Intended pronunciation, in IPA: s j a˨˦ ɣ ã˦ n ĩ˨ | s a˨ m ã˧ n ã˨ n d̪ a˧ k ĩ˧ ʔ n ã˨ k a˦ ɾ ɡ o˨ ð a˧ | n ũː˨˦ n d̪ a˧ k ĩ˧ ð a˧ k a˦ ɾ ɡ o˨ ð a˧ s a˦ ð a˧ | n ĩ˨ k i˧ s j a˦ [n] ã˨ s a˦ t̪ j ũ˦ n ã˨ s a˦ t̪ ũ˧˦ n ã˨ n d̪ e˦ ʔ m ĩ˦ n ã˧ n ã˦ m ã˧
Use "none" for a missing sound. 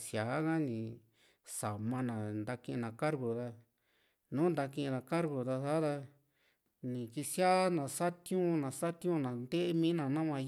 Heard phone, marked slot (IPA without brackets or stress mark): n